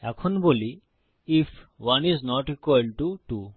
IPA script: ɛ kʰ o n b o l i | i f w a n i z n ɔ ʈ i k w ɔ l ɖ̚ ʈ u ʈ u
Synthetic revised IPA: ɛ kʰ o n b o l i | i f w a n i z n ɔ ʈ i k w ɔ l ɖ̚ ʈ u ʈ u